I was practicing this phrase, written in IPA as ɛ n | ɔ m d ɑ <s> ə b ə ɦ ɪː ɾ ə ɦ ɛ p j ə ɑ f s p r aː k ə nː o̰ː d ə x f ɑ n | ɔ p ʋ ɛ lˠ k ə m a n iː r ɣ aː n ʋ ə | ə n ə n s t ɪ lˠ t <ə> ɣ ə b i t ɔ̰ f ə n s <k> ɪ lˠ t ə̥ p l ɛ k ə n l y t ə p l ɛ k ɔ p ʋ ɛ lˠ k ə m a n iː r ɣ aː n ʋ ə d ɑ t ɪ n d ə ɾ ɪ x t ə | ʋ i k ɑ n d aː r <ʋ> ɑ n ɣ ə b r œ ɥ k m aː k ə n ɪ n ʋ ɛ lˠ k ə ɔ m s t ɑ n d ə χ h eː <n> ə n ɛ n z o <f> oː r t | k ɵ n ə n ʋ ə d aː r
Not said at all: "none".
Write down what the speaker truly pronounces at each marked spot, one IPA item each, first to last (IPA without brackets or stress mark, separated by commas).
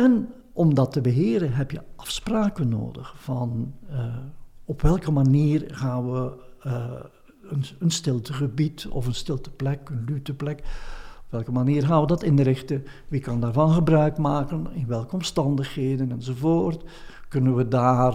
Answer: t, ə, t, v, d, v